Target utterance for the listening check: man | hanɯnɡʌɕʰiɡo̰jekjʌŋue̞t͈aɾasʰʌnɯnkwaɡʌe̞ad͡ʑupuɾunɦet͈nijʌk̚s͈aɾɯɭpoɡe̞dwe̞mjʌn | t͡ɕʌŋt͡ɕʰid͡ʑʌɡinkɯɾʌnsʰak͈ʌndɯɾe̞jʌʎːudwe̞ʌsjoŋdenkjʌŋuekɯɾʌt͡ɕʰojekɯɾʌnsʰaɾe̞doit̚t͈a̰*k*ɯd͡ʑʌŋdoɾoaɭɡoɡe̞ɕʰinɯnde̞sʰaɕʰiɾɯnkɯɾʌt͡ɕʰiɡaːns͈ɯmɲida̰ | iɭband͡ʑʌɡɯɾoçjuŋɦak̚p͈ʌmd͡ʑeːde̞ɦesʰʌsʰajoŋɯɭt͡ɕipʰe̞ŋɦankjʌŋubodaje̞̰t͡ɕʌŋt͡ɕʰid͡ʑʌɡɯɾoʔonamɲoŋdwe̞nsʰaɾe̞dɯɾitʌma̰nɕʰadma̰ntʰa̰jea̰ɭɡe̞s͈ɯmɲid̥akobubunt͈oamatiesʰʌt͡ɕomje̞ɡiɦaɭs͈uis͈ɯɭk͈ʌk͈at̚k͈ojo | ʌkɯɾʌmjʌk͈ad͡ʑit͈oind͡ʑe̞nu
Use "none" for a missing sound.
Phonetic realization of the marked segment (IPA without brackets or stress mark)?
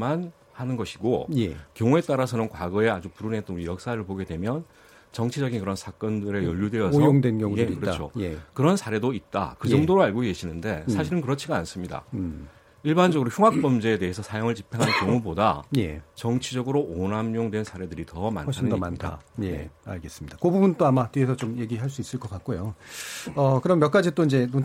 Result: k